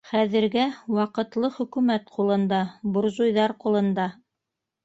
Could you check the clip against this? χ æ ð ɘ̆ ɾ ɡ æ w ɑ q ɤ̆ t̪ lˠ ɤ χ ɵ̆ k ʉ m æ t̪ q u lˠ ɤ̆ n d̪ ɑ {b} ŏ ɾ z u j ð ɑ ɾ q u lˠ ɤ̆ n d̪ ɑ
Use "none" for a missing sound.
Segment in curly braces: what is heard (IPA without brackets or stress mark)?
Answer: b